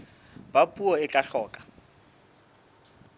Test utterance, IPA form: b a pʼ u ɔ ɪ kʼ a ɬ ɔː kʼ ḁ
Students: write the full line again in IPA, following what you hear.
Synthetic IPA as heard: b a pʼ u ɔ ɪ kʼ a ɬ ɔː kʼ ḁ